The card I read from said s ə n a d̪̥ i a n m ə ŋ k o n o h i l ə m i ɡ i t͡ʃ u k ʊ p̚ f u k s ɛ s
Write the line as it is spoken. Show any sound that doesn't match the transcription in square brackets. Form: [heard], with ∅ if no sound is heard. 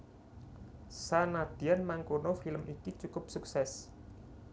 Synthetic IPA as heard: s [a] n a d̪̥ i a n m [a] ŋ k o n o [f] i l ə m i [k] i t͡ʃ u k ʊ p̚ [s] u k s ɛ s